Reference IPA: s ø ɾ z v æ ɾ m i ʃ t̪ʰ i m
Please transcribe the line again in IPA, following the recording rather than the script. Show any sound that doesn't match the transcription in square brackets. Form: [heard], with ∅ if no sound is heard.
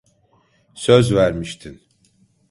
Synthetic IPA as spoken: s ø [∅] z v æ ɾ m i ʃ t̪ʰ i [n]